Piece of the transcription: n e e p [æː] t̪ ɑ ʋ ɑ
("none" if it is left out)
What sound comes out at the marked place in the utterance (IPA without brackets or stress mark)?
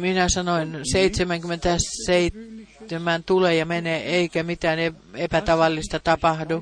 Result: æ